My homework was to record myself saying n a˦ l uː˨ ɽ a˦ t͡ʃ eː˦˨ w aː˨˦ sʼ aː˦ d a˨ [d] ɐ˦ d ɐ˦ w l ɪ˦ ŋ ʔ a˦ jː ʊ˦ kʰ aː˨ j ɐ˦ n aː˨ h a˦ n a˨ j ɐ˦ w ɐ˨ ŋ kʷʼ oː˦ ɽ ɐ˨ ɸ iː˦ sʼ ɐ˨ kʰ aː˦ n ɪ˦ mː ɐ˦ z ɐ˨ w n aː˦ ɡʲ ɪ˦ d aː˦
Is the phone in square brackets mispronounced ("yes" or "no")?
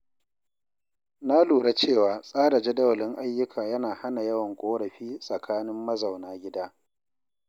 yes